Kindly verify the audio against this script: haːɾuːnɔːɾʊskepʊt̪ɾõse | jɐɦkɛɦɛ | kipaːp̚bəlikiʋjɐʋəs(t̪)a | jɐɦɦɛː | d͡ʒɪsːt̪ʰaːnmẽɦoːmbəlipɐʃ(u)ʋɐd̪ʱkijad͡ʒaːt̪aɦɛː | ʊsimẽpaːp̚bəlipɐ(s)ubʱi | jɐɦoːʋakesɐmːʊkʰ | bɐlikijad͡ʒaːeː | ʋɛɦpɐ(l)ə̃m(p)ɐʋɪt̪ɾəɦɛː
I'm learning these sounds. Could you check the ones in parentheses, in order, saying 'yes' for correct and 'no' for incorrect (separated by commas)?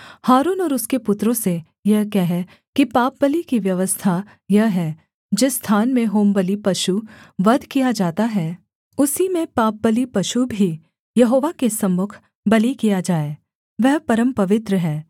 no, yes, no, no, yes